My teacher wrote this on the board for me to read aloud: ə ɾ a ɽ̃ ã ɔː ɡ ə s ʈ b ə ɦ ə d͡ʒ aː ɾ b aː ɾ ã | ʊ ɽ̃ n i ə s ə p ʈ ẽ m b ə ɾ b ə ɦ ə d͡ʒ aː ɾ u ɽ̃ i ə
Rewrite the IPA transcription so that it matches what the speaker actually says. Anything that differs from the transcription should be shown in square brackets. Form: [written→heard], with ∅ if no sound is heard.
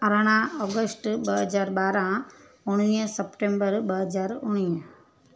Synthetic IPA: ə ɾ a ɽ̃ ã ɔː ɡ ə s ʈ b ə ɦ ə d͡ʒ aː ɾ b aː ɾ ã | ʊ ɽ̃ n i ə s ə p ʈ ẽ m b ə ɾ b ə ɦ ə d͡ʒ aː ɾ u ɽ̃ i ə